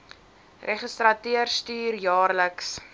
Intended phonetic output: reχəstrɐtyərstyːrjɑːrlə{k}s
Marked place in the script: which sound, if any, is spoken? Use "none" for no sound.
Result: k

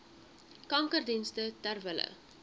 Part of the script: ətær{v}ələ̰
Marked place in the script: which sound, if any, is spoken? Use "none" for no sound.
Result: v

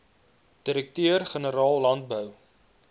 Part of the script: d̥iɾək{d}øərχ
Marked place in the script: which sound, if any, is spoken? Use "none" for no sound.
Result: t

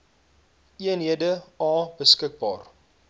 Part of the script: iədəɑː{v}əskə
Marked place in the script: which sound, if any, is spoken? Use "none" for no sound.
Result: b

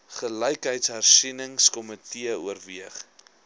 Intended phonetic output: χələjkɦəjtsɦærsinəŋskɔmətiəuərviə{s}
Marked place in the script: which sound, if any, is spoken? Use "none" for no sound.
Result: χ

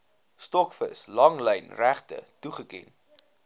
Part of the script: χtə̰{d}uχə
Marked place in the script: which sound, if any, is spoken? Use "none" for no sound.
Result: t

